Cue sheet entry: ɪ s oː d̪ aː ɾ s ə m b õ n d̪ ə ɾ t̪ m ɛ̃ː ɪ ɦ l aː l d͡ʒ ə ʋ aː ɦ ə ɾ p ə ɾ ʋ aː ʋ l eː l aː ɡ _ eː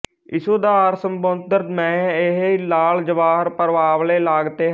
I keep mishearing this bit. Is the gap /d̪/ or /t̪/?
t̪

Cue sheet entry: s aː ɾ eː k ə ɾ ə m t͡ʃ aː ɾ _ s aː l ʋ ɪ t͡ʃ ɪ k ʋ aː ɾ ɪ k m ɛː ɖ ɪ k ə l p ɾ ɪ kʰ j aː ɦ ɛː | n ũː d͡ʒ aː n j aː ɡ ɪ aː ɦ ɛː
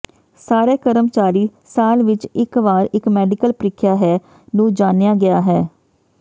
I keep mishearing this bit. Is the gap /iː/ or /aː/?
iː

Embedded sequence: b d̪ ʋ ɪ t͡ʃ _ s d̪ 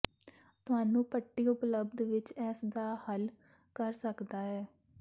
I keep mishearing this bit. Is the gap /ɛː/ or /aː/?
ɛː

